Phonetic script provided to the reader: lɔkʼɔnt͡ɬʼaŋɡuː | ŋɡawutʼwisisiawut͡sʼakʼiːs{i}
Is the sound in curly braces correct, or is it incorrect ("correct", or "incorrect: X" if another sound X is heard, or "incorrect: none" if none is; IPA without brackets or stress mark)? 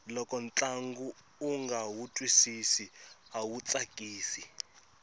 correct